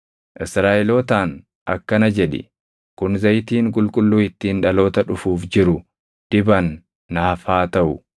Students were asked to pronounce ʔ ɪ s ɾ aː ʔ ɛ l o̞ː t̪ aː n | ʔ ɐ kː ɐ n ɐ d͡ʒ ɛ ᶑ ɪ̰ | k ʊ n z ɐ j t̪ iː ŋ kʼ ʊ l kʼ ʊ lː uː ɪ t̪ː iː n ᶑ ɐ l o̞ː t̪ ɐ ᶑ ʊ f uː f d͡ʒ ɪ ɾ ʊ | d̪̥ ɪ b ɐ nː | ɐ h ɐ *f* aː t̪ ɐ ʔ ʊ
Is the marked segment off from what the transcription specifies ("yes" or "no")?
no